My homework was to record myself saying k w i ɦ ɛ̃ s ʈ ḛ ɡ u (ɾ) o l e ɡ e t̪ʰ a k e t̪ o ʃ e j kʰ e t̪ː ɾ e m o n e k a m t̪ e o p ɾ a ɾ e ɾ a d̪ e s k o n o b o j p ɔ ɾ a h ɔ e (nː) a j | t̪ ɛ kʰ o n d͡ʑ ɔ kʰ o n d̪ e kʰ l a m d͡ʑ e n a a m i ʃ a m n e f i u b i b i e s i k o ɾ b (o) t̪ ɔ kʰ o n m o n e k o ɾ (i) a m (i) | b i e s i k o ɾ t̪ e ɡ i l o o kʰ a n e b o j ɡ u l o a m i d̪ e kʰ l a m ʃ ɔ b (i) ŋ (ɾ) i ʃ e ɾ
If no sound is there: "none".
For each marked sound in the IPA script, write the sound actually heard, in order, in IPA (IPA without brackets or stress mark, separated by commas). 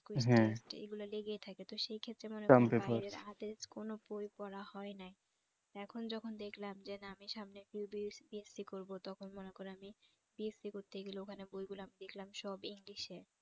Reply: l, n, o, e, i, i, l